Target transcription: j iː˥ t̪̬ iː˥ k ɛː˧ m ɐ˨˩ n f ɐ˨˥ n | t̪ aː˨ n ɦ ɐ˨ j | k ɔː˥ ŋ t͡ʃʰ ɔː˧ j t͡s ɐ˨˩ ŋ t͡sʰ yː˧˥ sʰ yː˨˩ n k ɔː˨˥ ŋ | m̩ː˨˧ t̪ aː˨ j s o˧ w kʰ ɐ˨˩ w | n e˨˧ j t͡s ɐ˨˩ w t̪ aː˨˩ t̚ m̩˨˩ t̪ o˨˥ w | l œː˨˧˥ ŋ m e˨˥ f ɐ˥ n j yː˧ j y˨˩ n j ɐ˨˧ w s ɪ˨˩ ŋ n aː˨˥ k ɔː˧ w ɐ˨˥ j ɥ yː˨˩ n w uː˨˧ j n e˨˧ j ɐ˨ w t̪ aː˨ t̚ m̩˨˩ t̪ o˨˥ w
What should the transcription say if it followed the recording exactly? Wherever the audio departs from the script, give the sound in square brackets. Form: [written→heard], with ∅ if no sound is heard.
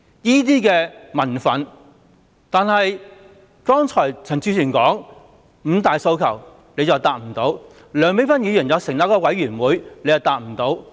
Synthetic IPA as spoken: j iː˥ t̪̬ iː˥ k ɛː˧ m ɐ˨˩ n f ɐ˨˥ n | t̪ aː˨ n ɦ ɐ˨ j | k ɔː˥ ŋ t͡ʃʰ [ɔː˧→ɔː˨˩] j [t͡s→t͡sʰ] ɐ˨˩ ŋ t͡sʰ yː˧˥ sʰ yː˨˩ n k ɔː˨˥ ŋ | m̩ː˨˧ t̪ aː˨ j s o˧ w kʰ ɐ˨˩ w | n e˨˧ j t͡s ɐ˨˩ w t̪ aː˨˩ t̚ m̩˨˩ t̪ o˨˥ w | l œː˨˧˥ ŋ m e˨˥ f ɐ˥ n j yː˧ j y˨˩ n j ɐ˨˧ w s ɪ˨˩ ŋ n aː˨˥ k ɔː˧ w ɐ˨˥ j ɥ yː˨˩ n w uː˨˧ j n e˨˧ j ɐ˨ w t̪ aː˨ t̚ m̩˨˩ t̪ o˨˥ w